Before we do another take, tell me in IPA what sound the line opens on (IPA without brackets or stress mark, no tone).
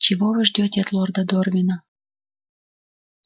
t͡ɕ